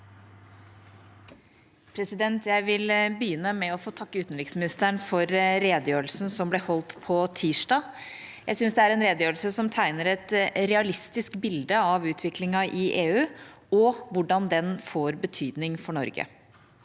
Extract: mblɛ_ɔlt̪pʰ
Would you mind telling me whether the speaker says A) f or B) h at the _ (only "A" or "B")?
B